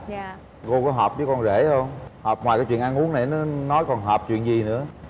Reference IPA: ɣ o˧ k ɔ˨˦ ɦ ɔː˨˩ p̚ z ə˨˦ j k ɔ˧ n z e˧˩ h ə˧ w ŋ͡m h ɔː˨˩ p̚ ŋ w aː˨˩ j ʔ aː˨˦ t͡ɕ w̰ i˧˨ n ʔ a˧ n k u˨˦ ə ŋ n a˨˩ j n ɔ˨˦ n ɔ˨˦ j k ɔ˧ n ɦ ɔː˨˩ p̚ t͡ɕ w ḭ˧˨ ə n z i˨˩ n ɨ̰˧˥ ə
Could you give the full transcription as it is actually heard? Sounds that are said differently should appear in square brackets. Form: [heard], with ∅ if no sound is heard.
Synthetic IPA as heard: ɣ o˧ k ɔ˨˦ ɦ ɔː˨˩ p̚ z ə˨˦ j k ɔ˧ n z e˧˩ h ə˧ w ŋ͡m h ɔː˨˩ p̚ ŋ w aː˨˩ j [k] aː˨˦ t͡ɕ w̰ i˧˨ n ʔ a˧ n [ʔ] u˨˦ ə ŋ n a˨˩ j n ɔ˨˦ n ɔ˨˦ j k [ɔ˨˩] n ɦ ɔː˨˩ p̚ t͡ɕ w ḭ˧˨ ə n z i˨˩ n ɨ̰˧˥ ə